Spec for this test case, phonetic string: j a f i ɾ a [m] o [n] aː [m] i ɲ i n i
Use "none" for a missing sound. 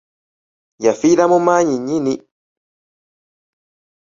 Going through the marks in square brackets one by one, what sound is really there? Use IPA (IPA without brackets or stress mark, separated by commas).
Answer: m, m, ɲ